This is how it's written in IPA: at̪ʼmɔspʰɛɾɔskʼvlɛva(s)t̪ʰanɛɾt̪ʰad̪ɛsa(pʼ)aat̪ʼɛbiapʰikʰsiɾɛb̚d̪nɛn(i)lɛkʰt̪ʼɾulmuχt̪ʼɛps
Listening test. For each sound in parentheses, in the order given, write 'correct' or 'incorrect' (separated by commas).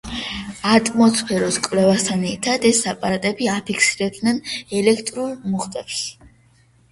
correct, correct, incorrect